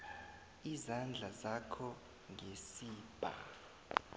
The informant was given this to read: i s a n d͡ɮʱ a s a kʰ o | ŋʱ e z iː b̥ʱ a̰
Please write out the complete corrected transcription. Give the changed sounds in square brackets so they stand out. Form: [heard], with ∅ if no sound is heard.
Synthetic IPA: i [z] a n d͡ɮʱ a [z] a kʰ [ɔ] | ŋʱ e [s] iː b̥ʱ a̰